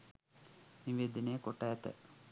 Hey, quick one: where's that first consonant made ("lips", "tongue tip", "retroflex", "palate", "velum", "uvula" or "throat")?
tongue tip